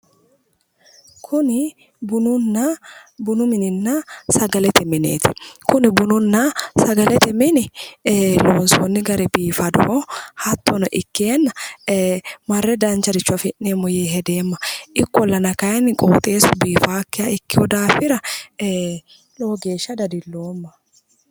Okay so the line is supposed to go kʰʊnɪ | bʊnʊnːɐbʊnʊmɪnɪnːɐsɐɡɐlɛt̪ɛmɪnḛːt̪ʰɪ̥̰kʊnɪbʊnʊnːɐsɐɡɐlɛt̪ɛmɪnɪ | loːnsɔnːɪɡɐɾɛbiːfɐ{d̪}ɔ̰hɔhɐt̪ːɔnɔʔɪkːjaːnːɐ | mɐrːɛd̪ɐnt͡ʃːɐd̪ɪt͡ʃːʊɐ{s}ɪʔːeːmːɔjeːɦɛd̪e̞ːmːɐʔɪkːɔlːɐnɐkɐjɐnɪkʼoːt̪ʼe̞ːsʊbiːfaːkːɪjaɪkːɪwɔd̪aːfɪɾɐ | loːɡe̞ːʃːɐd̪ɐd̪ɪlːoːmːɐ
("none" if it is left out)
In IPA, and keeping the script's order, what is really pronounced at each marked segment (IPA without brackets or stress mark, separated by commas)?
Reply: d̪, f